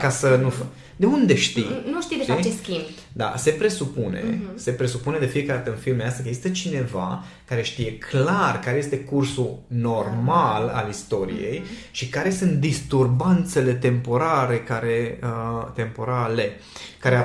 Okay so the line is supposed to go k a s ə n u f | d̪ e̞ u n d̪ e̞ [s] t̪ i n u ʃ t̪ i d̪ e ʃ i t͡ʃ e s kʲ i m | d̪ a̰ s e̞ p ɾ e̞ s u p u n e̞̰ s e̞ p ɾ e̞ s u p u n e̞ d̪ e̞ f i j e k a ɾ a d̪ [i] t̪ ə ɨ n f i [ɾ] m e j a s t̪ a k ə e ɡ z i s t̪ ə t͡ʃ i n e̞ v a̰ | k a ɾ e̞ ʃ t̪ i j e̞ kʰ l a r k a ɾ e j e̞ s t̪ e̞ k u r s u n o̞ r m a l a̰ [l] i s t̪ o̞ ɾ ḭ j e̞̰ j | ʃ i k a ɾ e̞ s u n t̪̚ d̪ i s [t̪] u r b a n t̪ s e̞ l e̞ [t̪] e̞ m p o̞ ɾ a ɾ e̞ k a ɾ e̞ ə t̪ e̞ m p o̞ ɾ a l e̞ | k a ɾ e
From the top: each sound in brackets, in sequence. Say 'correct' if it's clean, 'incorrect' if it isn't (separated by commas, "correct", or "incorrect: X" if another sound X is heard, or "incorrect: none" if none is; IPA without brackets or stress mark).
incorrect: ʃ, incorrect: a, incorrect: l, correct, correct, correct